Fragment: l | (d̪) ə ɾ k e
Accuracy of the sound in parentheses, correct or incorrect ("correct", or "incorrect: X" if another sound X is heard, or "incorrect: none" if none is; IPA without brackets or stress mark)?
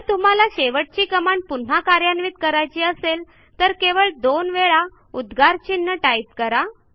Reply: incorrect: t̪